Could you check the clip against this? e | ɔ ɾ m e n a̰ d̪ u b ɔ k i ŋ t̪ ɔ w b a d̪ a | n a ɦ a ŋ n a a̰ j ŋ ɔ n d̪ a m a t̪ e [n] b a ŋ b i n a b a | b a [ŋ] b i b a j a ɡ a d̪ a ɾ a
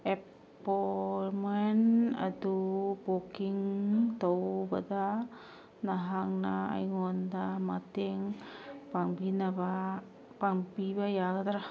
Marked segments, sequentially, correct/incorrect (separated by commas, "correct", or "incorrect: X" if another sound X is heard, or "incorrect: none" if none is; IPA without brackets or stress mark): incorrect: ŋ, correct